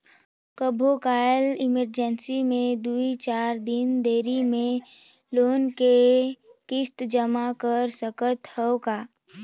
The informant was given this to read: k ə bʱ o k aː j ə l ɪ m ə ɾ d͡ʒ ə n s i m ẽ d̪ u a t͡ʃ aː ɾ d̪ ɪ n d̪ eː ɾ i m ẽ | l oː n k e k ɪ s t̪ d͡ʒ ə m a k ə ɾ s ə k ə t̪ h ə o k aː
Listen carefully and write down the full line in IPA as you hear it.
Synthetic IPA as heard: k ə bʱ o k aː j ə l ɪ m ə ɾ d͡ʒ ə n s i m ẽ d̪ u i t͡ʃ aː ɾ d̪ ɪ n d̪ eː ɾ i m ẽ | l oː n k e k ɪ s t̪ d͡ʒ ə m a k ə ɾ s ə k ə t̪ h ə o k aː